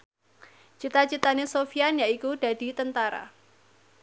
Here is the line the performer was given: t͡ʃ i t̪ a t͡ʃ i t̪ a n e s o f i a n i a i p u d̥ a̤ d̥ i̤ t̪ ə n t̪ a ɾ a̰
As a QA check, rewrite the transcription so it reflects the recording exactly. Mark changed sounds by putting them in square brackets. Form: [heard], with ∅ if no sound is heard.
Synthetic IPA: t͡ʃ i t̪ a t͡ʃ i t̪ a n e s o f i a n [j] a i [k] u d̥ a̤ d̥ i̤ t̪ ə n t̪ a ɾ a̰